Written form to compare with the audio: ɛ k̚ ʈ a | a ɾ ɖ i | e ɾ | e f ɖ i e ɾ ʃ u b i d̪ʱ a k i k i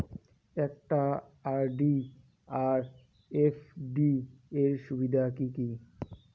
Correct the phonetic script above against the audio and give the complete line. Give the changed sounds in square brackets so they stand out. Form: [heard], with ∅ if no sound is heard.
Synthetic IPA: ɛ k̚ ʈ a | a ɾ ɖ i | [a] ɾ | e f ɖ i e ɾ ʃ u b i d̪ʱ a k i k i

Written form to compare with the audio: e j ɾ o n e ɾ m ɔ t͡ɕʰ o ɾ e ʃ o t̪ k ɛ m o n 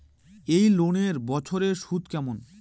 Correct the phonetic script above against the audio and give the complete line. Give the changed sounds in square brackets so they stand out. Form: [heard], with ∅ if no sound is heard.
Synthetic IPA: e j [l] o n e ɾ [b] ɔ t͡ɕʰ o ɾ e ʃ [u] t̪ k ɛ m o n

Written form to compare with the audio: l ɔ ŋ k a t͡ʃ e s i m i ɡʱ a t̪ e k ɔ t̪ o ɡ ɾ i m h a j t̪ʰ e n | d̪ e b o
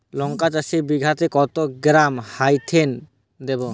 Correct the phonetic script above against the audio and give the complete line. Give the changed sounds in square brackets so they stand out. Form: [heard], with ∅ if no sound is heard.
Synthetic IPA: l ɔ ŋ k a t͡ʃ [a] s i [b] i ɡʱ a t̪ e k ɔ t̪ o ɡ ɾ [a] m h a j t̪ʰ e n | d̪ e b o

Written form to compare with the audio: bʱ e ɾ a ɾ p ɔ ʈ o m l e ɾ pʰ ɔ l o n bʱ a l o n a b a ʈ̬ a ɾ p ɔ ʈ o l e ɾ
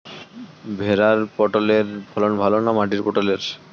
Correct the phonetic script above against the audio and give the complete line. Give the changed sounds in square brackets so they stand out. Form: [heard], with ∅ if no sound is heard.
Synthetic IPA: bʱ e ɾ a ɾ p ɔ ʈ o [∅] l e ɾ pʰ ɔ l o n bʱ a l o n a [m] a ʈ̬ [i] ɾ p ɔ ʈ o l e ɾ

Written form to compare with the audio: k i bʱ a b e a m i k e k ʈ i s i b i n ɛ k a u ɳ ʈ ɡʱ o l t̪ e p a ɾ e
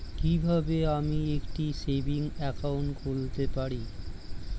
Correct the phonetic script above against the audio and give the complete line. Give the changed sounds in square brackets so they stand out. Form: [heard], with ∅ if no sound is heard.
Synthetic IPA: k i bʱ a b e a m i [∅] e k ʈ i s [e] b i [ŋ] ɛ k a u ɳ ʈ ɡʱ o l t̪ e p a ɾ [i]

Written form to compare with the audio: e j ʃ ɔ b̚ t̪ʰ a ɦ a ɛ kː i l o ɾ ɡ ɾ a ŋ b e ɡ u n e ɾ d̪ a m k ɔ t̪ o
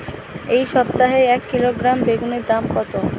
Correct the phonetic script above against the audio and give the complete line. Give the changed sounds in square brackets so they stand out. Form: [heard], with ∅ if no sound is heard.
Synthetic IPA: e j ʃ ɔ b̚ [t̪] a ɦ [e] ɛ kː i l o [∅] ɡ ɾ a [m] b e ɡ u n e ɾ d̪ a m k ɔ t̪ o

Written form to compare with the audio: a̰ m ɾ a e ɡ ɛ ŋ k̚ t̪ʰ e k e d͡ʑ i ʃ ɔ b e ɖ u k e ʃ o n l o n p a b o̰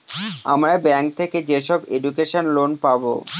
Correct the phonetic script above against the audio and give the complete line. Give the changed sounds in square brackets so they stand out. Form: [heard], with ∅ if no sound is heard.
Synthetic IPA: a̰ m ɾ a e [b] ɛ ŋ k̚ t̪ʰ e k e d͡ʑ [e] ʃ ɔ b e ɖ u k e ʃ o n l o n p a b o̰

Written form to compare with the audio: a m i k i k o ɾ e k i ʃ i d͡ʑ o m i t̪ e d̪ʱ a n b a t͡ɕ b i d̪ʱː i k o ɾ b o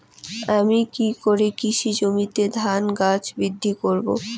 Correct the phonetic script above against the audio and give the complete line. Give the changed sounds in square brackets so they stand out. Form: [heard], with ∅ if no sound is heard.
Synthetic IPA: a m i k i k o ɾ e k i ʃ i d͡ʑ o m i t̪ e d̪ʱ a n [ɡ] a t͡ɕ b i d̪ʱː i k o ɾ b o

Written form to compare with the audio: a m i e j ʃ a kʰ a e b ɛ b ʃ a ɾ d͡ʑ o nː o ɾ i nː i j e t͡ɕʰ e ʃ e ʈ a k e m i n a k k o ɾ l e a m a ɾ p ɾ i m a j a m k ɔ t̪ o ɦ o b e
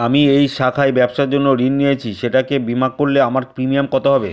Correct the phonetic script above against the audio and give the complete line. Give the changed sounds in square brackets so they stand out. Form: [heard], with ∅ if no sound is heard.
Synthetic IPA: a m i e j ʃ a kʰ a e b ɛ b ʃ a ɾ d͡ʑ o nː o ɾ i nː i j e t͡ɕʰ [i] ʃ e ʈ a k e [b] i [m] a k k o ɾ l e a m a ɾ p ɾ i m [i] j a m k ɔ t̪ o ɦ [ɔ] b e

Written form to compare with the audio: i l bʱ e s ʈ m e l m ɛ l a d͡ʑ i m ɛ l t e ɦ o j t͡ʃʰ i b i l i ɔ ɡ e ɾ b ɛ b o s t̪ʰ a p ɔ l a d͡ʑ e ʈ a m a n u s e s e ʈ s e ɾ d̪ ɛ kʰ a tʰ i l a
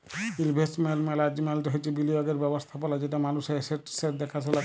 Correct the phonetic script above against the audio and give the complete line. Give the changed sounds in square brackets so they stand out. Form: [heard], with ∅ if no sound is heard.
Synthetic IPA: i l bʱ e s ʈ m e l m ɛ l a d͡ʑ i m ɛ l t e ɦ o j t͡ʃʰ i b i l i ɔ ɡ e ɾ b ɛ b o s t̪ʰ a p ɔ l a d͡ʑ e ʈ a m a n u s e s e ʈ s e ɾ d̪ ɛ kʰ a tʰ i l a

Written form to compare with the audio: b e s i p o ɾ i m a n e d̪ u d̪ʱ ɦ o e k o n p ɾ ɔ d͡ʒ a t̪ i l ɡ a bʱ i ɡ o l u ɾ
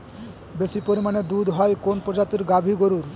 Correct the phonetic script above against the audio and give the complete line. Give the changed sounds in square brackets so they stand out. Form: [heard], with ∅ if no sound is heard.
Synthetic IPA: b e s i p o ɾ i m a n e d̪ u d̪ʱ ɦ [ɔ] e k o n p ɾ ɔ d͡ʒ a t̪ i [ɾ] ɡ a bʱ i ɡ o [ɾ] u ɾ

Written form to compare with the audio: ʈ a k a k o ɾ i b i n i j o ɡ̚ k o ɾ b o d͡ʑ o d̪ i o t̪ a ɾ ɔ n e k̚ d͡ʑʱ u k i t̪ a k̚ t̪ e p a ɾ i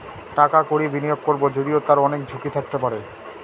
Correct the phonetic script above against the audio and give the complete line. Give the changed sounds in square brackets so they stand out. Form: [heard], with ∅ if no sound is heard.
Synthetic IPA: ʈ a k a k o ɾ i b i n i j o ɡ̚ k o ɾ b o d͡ʑ o d̪ i o t̪ a ɾ ɔ n e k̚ d͡ʑʱ u k i [t̪ʰ] a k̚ t̪ e p a ɾ [e]

